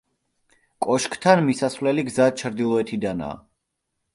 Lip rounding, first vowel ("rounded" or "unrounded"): rounded